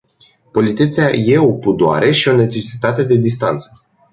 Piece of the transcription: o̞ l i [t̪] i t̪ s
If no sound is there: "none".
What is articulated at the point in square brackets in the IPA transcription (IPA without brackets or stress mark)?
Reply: t̪